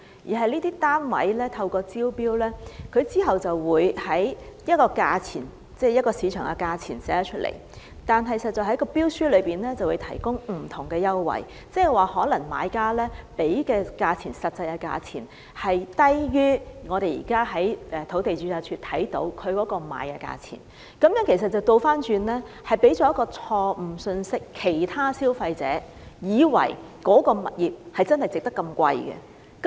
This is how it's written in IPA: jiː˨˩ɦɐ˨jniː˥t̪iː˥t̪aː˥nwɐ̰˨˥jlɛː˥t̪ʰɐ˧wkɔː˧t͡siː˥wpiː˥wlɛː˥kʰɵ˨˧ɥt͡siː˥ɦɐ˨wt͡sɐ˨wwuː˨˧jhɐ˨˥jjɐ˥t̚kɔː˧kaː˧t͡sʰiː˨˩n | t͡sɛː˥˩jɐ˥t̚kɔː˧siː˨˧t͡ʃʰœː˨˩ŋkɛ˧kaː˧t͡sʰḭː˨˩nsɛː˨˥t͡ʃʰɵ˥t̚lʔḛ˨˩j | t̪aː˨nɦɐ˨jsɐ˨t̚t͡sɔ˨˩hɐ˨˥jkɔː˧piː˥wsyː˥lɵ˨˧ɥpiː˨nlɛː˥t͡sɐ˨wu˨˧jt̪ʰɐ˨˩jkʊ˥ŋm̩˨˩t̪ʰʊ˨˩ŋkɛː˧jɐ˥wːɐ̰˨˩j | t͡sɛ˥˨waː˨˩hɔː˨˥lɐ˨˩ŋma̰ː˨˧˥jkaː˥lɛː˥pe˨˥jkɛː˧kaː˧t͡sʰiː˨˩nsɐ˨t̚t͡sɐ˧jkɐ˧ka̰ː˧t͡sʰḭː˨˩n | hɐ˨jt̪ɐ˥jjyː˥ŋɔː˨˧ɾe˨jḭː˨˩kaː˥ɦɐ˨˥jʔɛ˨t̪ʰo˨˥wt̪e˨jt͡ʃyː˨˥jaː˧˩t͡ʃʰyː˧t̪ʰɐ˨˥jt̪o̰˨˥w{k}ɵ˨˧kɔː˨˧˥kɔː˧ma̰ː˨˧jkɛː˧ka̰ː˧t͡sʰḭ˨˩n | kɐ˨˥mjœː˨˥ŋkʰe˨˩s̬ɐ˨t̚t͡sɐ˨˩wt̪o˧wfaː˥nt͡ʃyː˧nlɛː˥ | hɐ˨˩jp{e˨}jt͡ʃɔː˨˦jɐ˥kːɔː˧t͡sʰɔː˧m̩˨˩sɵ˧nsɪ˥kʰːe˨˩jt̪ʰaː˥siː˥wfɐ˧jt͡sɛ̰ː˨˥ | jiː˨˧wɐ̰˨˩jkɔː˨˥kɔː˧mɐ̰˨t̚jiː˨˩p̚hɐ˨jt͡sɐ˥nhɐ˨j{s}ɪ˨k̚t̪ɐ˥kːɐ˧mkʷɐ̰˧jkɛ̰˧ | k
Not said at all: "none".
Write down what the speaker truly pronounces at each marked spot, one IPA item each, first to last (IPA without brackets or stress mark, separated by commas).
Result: kʰ, e˨˥, t͡s